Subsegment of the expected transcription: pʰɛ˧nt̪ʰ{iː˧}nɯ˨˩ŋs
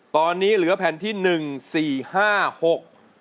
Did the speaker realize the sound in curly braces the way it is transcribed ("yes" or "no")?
no